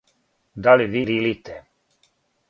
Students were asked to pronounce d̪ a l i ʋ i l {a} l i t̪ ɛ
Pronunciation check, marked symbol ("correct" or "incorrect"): incorrect